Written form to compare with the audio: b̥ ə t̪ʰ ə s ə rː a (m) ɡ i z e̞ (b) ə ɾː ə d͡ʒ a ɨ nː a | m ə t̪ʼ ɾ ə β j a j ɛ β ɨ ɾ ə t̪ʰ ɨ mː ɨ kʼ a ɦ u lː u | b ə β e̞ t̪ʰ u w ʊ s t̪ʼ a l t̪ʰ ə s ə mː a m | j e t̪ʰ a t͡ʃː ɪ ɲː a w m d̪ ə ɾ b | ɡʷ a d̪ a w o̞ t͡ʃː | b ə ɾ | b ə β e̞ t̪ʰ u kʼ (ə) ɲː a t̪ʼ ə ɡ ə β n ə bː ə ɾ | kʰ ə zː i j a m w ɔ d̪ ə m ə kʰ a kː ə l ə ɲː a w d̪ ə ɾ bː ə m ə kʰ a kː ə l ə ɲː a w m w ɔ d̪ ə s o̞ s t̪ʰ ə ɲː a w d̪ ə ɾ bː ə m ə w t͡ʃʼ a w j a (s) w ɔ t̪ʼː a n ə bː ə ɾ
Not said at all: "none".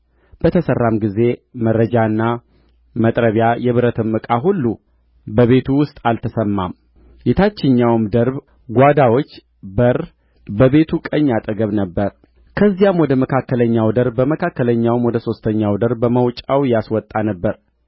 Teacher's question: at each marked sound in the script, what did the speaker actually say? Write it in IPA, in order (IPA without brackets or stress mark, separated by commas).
m, m, ə, s